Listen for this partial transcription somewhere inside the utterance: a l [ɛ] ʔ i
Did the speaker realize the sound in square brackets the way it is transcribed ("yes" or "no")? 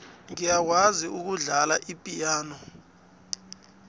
no